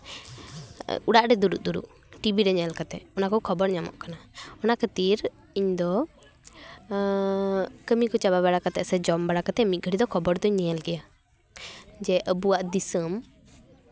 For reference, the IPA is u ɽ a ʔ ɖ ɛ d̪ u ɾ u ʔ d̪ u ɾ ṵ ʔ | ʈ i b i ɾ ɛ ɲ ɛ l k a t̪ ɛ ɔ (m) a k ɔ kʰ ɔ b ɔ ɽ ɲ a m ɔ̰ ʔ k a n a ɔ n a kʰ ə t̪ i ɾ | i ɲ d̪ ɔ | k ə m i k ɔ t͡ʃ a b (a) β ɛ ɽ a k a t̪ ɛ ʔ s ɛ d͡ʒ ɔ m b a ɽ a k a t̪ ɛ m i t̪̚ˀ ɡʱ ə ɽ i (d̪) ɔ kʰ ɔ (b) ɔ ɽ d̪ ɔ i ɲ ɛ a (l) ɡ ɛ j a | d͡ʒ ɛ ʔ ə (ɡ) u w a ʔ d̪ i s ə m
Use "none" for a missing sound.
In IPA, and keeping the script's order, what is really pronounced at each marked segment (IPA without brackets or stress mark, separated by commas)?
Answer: n, a, d̪, b, l, b